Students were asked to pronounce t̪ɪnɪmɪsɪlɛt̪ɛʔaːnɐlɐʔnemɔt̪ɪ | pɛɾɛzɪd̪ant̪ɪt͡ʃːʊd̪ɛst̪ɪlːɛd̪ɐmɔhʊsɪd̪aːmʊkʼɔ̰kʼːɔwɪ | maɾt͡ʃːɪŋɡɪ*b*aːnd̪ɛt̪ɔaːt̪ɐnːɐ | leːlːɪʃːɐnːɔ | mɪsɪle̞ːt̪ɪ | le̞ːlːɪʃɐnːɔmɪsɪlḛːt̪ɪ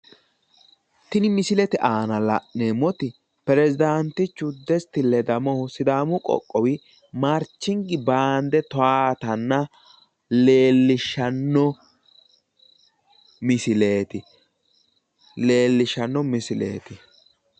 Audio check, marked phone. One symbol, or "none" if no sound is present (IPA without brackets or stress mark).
b